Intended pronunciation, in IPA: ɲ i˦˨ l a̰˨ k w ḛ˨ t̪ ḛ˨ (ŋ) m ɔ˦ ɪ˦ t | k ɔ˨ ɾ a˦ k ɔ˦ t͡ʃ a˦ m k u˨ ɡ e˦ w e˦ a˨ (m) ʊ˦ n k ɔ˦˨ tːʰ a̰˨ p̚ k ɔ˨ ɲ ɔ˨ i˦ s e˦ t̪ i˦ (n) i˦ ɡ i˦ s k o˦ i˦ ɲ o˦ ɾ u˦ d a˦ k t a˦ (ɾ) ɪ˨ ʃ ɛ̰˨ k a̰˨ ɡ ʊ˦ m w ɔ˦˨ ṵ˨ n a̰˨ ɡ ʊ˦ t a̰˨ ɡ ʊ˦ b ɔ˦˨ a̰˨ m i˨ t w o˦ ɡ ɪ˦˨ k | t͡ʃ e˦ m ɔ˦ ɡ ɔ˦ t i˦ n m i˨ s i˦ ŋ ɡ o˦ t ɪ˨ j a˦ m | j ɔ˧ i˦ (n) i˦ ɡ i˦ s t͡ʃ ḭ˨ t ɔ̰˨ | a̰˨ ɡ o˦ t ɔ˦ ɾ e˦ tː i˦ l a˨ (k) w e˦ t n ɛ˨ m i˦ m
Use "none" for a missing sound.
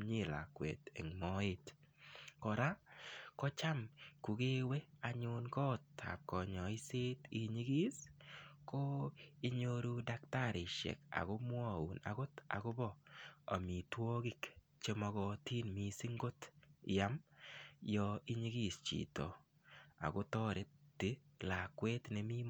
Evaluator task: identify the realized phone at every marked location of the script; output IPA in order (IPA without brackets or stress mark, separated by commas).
ŋ, ɲ, ɲ, ɾ, ɲ, k